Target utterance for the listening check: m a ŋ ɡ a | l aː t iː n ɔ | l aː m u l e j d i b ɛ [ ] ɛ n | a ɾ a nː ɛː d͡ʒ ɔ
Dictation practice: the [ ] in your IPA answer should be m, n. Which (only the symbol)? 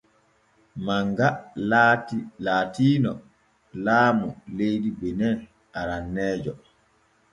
n